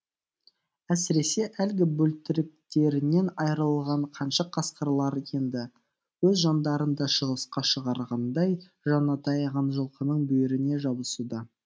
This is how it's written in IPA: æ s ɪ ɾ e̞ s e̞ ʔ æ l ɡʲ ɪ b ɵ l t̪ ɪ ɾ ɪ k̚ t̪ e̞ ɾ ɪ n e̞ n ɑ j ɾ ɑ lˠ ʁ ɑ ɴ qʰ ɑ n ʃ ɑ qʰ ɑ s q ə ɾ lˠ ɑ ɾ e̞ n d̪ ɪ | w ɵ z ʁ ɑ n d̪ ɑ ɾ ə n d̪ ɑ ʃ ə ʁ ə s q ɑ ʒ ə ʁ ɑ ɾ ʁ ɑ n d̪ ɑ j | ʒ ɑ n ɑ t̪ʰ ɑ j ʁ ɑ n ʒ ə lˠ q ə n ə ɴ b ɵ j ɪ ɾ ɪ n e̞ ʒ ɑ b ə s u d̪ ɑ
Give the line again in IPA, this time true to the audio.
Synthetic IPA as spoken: æ s ɪ ɾ e̞ s e̞ ʔ æ l ɡʲ ɪ b ɵ l t̪ ɪ ɾ ɪ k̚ t̪ e̞ ɾ ɪ n e̞ n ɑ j ɾ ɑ lˠ ʁ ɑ ɴ qʰ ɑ n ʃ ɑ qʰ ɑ s q ə ɾ lˠ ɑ ɾ e̞ n d̪ ɪ | w ɵ z ʒ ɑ n d̪ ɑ ɾ ə n d̪ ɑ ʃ ə ʁ ə s q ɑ ʃ ə ʁ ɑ ɾ ʁ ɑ n d̪ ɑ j | ʒ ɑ n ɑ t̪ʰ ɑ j ʁ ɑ n ʒ ə lˠ q ə n ə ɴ b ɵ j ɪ ɾ ɪ n e̞ ʒ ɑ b ə s u d̪ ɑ